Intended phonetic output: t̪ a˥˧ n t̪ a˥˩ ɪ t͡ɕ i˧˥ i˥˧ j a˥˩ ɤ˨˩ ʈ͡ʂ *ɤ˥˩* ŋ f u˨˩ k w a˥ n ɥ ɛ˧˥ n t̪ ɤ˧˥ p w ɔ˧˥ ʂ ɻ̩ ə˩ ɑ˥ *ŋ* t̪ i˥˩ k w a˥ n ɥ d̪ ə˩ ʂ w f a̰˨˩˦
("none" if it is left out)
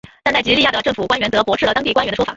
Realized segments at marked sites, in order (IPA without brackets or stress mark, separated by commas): ɤ˥˩, ŋ